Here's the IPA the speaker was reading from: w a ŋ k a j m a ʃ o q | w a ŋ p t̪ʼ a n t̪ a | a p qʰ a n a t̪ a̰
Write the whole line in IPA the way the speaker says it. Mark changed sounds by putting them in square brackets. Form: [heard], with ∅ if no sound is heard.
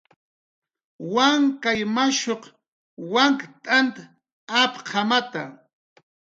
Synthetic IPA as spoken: w a ŋ k a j m a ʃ o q | w a ŋ [k] t̪ʼ a n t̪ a | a p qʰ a [m] a t̪ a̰